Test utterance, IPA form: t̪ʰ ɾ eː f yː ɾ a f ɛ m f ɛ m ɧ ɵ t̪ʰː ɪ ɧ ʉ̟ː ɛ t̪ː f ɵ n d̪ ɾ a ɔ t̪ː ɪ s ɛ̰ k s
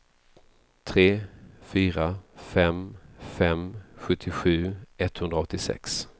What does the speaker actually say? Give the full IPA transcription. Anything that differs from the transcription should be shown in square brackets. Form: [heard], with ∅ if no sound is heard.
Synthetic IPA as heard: t̪ʰ ɾ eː f yː ɾ a f ɛ m f ɛ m ɧ ɵ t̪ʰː ɪ ɧ ʉ̟ː ɛ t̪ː [h] ɵ n d̪ ɾ a ɔ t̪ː ɪ s ɛ̰ k s

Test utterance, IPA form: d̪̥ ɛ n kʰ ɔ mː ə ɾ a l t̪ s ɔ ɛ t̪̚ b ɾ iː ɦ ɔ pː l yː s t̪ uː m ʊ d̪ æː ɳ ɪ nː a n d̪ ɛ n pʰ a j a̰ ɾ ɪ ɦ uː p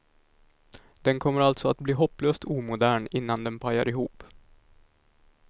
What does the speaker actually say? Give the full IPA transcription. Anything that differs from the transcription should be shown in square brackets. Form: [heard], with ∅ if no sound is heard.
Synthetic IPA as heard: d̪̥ ɛ n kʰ ɔ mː ə ɾ a l t̪ s ɔ [a] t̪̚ b [l] iː ɦ ɔ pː l [øː] s t̪ uː m ʊ d̪ æː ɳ ɪ nː a n d̪ ɛ n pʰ a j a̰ ɾ ɪ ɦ uː p

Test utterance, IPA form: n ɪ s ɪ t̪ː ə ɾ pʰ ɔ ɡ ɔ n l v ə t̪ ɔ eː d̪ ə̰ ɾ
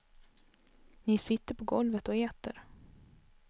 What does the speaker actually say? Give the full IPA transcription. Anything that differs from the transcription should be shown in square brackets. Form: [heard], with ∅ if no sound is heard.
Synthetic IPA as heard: n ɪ s ɪ t̪ː ə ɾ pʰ ɔ ɡ ɔ [∅] l v ə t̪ ɔ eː [t̪] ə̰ ɾ

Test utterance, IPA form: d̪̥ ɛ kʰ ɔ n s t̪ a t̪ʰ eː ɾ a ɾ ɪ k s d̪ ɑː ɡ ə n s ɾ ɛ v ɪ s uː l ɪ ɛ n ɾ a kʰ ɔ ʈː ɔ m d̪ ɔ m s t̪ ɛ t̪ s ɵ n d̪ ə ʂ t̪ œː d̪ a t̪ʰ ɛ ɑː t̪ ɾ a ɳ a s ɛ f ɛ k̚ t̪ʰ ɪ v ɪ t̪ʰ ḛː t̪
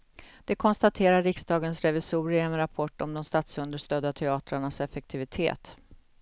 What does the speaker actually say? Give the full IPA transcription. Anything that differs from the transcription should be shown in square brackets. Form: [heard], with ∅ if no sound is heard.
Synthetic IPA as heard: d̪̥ ɛ kʰ ɔ n s t̪ a t̪ʰ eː ɾ a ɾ ɪ k s d̪ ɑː ɡ ə n s ɾ ɛ v ɪ s uː [ɾ] ɪ ɛ n ɾ a [pʰ] ɔ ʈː ɔ m d̪ ɔ m s t̪ [a] t̪ s ɵ n d̪ ə ʂ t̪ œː d̪ a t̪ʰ ɛ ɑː t̪ ɾ a ɳ a s ɛ f ɛ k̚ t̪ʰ ɪ v ɪ t̪ʰ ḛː t̪

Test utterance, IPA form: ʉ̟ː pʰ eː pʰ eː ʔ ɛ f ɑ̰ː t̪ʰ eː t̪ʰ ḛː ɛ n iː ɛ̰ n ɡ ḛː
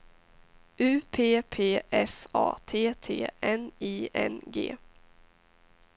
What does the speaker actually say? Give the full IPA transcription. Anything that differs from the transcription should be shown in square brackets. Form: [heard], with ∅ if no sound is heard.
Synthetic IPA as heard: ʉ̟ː pʰ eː pʰ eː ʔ ɛ f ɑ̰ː t̪ʰ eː t̪ʰ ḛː ɛ n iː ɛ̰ n ɡ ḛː

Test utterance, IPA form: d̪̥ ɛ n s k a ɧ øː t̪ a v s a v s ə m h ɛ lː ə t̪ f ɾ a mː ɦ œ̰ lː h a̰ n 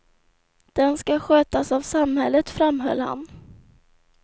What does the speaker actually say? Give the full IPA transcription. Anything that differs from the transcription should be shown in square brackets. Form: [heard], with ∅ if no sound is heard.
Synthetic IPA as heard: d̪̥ ɛ n s k a ɧ øː t̪ a [∅] s a v s [a] m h ɛ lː ə t̪ f ɾ a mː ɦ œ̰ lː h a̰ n

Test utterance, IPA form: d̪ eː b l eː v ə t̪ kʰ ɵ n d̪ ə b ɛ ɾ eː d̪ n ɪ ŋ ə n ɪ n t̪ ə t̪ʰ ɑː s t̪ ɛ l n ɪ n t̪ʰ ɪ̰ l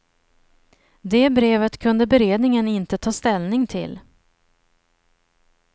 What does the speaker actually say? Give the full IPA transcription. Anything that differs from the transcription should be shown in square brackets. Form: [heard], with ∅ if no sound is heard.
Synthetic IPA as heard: d̪ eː b [ɾ] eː v ə t̪ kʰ ɵ n d̪ ə b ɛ ɾ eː d̪ n ɪ ŋ ə n ɪ n t̪ ə t̪ʰ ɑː s t̪ ɛ l n ɪ [ŋ] t̪ʰ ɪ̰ l

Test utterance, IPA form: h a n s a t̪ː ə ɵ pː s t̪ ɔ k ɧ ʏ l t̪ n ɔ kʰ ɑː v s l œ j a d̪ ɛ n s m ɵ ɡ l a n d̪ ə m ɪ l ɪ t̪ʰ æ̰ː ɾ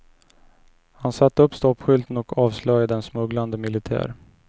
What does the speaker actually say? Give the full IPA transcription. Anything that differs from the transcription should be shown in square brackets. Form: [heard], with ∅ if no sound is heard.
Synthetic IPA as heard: h a n s a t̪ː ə ɵ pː s t̪ ɔ [p] ɧ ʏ l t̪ n ɔ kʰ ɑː v s l œ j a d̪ ɛ n s m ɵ ɡ l a n d̪ ə m ɪ l ɪ t̪ʰ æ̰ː ɾ

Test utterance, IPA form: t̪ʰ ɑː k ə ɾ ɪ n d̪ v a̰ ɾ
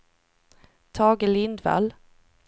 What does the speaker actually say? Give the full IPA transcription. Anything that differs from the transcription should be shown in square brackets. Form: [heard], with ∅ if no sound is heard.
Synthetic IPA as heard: t̪ʰ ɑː [ɡ] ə [l] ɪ n d̪ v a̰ [l]

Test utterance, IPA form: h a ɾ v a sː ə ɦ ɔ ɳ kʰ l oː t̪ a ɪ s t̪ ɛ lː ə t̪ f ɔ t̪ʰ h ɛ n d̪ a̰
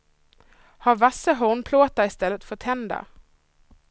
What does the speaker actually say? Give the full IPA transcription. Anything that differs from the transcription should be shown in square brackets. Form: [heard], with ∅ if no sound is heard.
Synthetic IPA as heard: h a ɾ v a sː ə ɦ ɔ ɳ [pʰ] l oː t̪ a ɪ s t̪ ɛ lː ə t̪ f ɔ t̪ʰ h ɛ n d̪ a̰

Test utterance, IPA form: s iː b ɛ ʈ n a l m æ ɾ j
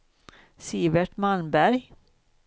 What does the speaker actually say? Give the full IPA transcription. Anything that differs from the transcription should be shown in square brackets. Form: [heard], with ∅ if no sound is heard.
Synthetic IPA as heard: s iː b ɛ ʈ [m] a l [b] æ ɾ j

